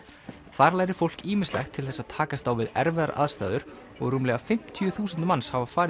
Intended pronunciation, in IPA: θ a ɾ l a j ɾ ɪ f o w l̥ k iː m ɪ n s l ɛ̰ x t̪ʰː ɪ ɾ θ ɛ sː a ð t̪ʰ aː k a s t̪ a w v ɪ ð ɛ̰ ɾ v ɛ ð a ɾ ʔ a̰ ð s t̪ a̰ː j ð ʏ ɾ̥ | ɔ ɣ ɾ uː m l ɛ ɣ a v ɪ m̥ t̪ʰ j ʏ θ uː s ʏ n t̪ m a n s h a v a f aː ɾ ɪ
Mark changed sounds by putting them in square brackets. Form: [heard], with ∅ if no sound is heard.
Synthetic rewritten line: θ a ɾ l a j ɾ ɪ f o w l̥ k iː m ɪ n s l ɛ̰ x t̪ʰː ɪ [l] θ ɛ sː a ð t̪ʰ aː k a s t̪ a w v ɪ ð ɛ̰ ɾ v ɛ ð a ɾ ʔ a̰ ð s t̪ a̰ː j ð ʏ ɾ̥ | ɔ ɣ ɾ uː m l ɛ ɣ a [f] ɪ m̥ t̪ʰ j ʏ θ uː s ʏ n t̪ m a n s h a v a f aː ɾ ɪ